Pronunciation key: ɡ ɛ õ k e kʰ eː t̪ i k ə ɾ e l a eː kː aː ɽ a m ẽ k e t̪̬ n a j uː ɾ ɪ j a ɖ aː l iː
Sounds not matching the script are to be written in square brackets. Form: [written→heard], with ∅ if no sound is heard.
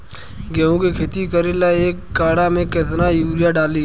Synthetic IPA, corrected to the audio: ɡ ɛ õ k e kʰ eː t̪ i k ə ɾ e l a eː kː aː ɽ a m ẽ k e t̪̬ n a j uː ɾ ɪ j a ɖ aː l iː